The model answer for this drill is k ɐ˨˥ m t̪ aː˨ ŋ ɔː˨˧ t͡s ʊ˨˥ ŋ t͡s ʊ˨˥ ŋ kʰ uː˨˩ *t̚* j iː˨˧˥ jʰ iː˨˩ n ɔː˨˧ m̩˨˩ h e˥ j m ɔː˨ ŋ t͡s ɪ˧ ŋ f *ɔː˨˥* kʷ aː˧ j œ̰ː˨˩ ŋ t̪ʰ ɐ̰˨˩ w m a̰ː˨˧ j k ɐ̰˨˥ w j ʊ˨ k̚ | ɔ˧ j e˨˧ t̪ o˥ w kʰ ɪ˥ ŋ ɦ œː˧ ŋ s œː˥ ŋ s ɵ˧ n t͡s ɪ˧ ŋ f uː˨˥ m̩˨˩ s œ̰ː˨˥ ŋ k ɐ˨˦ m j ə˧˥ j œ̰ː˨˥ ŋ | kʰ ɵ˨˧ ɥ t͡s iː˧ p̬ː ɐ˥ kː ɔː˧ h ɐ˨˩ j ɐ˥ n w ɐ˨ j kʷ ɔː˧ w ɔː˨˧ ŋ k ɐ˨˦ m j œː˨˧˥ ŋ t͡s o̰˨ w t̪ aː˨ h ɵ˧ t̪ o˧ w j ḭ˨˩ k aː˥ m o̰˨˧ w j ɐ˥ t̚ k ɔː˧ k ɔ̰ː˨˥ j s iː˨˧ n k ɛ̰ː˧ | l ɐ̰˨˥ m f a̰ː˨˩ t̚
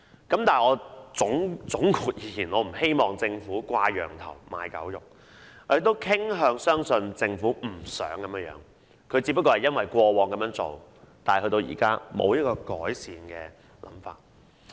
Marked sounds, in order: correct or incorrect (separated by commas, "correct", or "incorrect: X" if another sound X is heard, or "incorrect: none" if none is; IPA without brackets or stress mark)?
correct, incorrect: uː˨˥